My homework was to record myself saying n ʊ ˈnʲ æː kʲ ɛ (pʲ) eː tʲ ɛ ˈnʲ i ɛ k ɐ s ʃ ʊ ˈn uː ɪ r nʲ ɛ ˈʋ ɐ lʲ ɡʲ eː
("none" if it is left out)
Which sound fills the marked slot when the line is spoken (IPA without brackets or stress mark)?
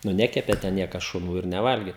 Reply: pʲ